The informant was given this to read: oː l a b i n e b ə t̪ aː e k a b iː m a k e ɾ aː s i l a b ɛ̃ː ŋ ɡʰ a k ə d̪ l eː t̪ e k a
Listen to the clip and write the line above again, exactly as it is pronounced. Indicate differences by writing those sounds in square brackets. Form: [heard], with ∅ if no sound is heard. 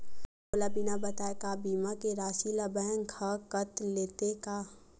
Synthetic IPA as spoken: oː l a b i n [a] b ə t̪ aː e k a b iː m a k e ɾ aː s i l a b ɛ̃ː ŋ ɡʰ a k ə [t̪] l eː t̪ e k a